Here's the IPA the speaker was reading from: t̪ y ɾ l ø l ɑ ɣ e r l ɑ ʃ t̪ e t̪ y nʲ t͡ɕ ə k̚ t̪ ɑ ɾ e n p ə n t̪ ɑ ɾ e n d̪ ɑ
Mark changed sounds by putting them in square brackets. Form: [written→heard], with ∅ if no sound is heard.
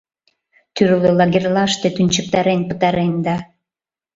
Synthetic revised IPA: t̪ y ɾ l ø l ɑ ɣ e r l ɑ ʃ t̪ e t̪ y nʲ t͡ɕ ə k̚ t̪ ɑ ɾ e n p ə [n→∅] t̪ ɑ ɾ e n d̪ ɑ